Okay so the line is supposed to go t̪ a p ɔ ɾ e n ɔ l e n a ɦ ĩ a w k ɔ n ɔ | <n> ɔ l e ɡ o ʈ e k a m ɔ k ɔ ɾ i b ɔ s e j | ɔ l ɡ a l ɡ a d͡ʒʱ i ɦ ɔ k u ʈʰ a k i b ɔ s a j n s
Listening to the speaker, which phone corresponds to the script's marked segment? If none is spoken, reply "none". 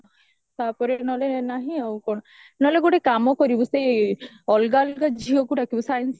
n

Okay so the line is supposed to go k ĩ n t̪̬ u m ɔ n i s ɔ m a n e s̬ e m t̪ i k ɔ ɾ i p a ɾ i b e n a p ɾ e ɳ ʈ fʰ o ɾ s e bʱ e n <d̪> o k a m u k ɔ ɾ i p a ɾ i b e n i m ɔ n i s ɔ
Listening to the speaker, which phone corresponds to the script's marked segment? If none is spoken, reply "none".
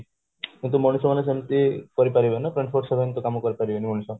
t̪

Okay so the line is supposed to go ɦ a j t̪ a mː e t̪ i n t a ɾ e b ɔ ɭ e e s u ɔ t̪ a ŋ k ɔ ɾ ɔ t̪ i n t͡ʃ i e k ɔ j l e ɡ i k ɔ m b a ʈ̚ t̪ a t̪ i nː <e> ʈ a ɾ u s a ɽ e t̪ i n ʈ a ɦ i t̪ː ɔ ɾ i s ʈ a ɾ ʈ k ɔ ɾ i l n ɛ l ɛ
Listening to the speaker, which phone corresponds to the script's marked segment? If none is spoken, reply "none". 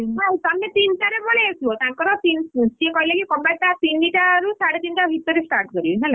i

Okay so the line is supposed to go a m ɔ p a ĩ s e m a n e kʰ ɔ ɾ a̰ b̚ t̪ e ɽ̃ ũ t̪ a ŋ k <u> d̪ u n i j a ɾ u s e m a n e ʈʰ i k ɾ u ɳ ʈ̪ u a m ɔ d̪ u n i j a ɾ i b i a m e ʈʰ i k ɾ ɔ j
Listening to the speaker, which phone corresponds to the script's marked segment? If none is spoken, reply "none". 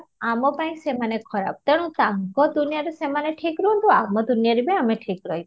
ɔ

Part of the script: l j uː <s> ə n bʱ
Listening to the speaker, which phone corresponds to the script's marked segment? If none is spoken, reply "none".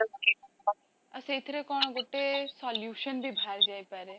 ʃ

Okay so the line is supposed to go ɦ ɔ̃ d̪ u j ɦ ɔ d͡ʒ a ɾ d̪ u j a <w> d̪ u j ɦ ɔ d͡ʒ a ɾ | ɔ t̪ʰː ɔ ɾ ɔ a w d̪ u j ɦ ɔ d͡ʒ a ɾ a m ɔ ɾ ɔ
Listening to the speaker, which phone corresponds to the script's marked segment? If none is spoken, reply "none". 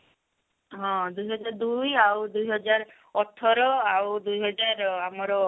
w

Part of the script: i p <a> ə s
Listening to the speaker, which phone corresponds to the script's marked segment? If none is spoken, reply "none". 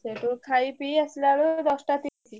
i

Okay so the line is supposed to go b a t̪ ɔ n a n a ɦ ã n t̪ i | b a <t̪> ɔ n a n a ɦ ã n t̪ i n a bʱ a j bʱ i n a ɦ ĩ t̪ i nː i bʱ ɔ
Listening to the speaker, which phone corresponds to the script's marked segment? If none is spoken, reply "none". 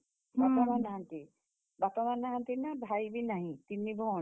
t̪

